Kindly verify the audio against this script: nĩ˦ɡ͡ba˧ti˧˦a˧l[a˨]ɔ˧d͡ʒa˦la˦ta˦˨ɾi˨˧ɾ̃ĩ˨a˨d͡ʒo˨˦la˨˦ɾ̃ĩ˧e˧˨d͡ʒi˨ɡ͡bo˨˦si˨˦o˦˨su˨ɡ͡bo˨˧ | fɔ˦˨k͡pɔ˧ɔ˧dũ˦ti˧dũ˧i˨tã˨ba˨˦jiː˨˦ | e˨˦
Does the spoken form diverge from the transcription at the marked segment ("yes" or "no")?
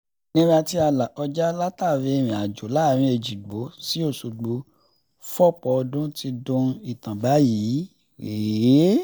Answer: no